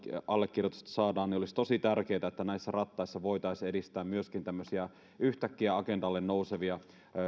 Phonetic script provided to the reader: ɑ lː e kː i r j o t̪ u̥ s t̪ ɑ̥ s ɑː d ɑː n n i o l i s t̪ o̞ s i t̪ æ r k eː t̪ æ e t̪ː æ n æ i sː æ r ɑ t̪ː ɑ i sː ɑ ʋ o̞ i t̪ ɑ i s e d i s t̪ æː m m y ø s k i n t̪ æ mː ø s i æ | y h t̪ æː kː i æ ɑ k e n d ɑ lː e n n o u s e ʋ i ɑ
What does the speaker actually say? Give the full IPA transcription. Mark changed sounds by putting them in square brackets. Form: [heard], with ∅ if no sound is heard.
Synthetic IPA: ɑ lː e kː i r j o t̪ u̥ s t̪ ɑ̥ s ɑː d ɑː n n i o l i s t̪ o̞ s i t̪ æ r k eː t̪ æ e t̪ː æ n æ i sː æ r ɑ t̪ː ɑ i sː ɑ ʋ o̞ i t̪ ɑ i s e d i s t̪ æː m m y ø s k i n t̪ æ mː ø s i æ | y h t̪ [æ] kː i æ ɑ k e n d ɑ lː e n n o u s e ʋ i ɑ